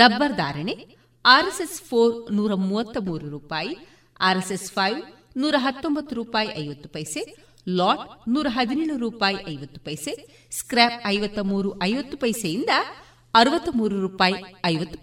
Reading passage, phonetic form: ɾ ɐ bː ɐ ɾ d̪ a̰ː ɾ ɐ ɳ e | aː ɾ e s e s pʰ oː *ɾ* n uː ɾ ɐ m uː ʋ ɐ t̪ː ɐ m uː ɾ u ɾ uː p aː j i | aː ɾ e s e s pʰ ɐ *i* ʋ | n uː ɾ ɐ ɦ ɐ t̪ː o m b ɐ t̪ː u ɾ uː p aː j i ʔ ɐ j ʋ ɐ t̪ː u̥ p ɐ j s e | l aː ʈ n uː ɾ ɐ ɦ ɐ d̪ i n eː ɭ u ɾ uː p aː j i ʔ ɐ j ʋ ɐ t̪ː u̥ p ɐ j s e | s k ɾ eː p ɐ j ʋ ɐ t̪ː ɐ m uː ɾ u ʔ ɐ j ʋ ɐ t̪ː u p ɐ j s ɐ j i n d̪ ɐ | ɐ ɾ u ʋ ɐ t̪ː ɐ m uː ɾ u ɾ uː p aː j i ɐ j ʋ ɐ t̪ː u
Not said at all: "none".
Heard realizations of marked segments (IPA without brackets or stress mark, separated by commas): ɾ, j